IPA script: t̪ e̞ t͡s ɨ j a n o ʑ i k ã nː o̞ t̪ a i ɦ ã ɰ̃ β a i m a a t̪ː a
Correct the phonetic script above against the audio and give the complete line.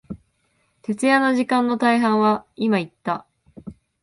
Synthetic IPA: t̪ e̞ t͡s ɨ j a n o ʑ i k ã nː o̞ t̪ a i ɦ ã ɰ̃ β a i m a i t̪ː a

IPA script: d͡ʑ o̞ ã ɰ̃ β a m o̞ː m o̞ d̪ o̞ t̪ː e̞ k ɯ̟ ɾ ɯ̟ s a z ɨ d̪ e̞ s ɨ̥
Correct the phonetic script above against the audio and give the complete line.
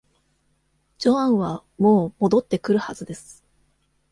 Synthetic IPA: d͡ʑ o̞ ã ɰ̃ β a m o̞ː m o̞ d̪ o̞ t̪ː e̞ k ɯ̟ ɾ ɯ̟ h a z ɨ d̪ e̞ s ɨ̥

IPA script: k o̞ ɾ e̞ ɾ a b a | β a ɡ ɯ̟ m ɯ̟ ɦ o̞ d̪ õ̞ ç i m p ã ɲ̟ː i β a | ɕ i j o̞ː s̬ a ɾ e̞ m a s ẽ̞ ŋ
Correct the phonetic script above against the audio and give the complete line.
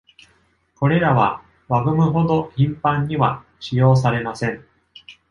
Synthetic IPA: k o̞ ɾ e̞ ɾ a β a | β a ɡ ɯ̟ m ɯ̟ ɦ o̞ d̪ o̞ ç ĩ m p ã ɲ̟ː i β a | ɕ i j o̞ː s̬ a ɾ e̞ m a s ẽ̞ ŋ

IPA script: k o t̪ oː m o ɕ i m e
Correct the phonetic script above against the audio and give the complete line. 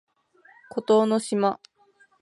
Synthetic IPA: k o t̪ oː n o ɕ i m a

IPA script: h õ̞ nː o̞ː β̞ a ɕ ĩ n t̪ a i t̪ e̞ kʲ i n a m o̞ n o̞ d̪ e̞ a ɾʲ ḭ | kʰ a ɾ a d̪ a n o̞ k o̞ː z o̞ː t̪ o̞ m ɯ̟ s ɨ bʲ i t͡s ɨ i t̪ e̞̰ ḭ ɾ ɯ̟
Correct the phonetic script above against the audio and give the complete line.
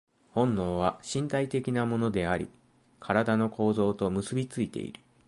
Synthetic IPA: h õ̞ nː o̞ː β̞ a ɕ ĩ n t̪ a i t̪ e̞ kʲ i n a m o̞ n o̞ d̪ e̞ a ɾʲ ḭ | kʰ a ɾ a d̪ a n o̞ k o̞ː z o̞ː t̪ o̞ m ɯ̟ s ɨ bʲ i t͡s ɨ i t̪ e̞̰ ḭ ɾ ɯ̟

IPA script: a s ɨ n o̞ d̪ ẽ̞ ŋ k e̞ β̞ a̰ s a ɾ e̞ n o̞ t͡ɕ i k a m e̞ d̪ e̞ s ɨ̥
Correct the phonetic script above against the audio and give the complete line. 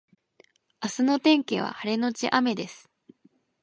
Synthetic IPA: a s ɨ n o̞ t̪ ẽ̞ ŋ k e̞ β̞ a̰ h a ɾ e̞ n o̞ t͡ɕ i ʔ a m e̞ d̪ e̞ s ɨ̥

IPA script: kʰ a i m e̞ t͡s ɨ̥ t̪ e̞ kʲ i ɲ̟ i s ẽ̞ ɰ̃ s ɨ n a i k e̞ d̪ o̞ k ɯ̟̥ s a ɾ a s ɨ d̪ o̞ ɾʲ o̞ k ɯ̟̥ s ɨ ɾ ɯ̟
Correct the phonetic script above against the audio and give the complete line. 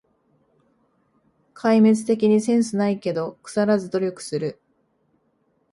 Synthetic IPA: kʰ a i m e̞ t͡s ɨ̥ t̪ e̞ kʲ i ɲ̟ i s ẽ̞ ɰ̃ s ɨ n a i k e̞ d̪ o̞ k ɯ̟̥ s a ɾ a z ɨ d̪ o̞ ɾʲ o̞ k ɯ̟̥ s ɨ ɾ ɯ̟

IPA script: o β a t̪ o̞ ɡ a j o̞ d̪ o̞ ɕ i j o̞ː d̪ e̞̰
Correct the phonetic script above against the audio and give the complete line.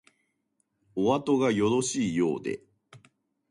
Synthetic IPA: o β a t̪ o̞ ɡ a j o̞ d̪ o̞ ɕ iː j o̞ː d̪ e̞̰

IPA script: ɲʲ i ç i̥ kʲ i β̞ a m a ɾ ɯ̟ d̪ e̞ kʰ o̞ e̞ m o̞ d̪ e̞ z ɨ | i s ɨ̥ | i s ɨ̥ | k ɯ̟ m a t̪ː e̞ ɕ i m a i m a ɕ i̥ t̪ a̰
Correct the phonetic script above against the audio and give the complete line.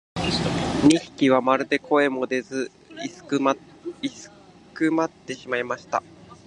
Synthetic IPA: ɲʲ i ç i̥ kʲ i β̞ a m a ɾ ɯ̟ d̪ e̞ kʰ o̞ e̞ m o̞ d̪ e̞ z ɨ | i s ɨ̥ | i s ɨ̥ | k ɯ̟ m a t̪ː e̞ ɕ i m a i m a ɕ i̥ t̪ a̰

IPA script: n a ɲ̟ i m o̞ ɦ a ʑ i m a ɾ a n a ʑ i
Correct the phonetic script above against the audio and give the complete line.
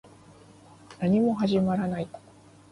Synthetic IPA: n a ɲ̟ i m o̞ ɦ a ʑ i m a ɾ a n a i

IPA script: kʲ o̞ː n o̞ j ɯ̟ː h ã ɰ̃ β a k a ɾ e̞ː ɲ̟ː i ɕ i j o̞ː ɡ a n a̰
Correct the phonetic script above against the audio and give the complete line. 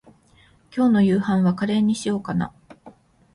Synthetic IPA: kʲ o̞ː n o̞ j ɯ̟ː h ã ɰ̃ β a k a ɾ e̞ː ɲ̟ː i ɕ i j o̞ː k a n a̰

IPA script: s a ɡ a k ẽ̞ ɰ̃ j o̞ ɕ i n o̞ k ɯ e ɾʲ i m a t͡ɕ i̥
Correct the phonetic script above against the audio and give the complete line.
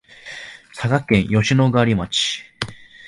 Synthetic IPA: s a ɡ a k ẽ̞ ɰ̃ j o̞ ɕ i n o̞ ɡ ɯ a ɾʲ i m a t͡ɕ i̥

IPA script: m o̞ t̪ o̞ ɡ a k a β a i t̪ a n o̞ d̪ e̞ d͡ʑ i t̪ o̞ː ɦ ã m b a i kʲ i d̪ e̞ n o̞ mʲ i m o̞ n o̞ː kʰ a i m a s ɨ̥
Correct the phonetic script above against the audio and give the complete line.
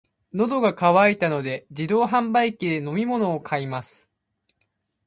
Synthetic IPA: n o̞ d̪ o̞ ɡ a k a β a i t̪ a n o̞ d̪ e̞ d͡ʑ i d̪ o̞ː ɦ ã m b a i kʲ i d̪ e̞ n o̞ mʲ i m o̞ n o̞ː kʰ a i m a s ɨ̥

